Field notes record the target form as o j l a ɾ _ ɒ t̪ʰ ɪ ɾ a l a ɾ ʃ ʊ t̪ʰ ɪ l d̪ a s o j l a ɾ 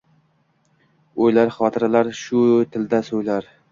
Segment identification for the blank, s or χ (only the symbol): χ